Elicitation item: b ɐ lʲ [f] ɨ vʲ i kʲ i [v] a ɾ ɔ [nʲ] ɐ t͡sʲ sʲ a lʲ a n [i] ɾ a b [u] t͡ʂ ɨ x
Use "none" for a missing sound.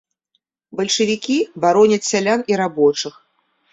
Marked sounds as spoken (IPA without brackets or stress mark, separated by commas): ʂ, b, nʲ, i, ɔ